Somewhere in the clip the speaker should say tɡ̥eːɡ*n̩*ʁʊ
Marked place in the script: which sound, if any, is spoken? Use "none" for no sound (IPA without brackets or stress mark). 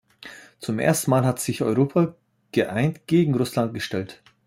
ŋ̩